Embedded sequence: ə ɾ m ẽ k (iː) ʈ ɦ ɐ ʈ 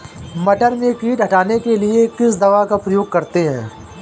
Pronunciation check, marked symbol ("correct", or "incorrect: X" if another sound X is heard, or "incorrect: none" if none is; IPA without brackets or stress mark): correct